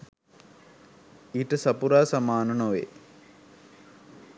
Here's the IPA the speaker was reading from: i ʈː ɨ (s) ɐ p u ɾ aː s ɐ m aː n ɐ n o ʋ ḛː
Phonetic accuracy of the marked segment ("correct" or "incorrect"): correct